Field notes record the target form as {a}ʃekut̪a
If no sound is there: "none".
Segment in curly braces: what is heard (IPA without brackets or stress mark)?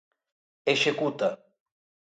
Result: e